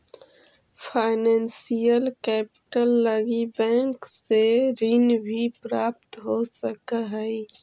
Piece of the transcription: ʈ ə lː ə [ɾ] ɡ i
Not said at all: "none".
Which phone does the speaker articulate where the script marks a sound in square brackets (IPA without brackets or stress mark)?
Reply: none